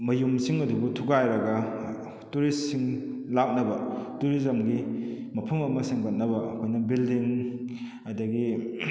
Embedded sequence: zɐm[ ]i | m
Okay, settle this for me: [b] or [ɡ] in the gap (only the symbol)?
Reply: ɡ